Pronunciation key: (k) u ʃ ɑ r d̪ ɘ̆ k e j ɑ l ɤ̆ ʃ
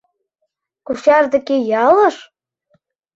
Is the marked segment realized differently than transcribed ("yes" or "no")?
no